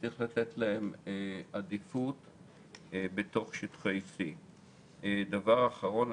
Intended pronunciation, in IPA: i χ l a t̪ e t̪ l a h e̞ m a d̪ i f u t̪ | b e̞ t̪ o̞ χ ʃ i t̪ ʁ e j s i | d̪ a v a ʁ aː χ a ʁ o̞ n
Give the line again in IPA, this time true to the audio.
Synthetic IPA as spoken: i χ l a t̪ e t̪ l a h e̞ m a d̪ i f u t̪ | b e̞ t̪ o̞ χ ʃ i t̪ χ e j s i | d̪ a v a ʁ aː χ a ʁ o̞ n